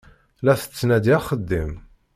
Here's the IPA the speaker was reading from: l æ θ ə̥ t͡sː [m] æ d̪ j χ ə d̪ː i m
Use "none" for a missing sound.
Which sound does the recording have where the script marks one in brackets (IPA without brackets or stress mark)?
n